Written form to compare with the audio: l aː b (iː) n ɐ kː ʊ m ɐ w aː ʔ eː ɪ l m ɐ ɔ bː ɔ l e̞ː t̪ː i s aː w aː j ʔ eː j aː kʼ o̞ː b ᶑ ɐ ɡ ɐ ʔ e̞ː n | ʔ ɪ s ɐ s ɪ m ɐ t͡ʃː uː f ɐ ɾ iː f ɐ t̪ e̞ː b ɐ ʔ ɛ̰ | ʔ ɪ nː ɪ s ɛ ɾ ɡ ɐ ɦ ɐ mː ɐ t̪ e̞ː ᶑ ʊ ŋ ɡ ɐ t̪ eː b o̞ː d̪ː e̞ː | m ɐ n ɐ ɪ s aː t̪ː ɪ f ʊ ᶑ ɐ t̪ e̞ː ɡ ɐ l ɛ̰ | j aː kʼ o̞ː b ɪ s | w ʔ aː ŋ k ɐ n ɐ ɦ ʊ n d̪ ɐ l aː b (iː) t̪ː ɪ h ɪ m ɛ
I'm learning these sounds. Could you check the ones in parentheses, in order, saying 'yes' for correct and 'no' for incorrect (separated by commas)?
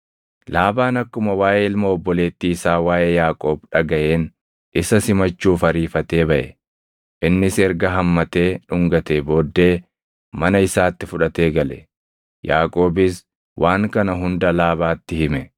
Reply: no, no